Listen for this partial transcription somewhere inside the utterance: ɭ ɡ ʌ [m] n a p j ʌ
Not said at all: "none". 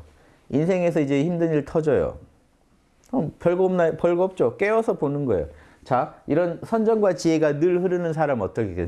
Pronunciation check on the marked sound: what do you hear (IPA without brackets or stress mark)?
m